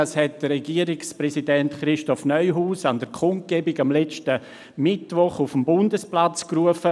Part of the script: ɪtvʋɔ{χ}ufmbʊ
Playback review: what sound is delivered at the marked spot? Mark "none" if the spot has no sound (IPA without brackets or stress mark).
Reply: χ